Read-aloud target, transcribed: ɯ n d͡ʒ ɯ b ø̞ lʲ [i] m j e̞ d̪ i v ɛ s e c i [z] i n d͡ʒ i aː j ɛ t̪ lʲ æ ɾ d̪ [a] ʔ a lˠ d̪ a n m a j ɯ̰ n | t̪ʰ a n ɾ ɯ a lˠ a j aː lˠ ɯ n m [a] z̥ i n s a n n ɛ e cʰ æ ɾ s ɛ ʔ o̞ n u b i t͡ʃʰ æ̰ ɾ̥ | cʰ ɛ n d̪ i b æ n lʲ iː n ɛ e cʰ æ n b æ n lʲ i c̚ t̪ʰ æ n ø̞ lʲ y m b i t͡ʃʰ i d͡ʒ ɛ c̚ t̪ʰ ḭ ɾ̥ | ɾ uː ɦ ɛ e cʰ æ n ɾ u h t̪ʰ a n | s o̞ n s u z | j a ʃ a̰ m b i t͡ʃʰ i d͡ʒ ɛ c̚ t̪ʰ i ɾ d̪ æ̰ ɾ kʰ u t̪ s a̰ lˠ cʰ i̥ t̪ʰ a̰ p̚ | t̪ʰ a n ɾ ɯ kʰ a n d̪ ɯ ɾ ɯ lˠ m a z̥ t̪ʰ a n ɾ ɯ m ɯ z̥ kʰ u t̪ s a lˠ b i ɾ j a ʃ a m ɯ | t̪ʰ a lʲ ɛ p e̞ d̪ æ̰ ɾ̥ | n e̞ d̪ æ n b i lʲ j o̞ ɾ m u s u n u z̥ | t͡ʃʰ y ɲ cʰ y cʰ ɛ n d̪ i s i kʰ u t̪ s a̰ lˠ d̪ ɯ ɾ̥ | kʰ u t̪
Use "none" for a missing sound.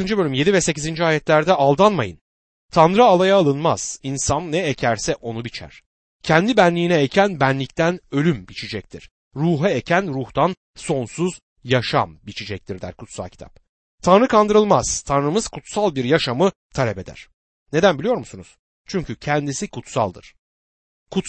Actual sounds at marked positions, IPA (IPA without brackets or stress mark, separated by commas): y, z, ɛ, a